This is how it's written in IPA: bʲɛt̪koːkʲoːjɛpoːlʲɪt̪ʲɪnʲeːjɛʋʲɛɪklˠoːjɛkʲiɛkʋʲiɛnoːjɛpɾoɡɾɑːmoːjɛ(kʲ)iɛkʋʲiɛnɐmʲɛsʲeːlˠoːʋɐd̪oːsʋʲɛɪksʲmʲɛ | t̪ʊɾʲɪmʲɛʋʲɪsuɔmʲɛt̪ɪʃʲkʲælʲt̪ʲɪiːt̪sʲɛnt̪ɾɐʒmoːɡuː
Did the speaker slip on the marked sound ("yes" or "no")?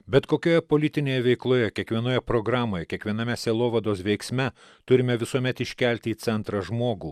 no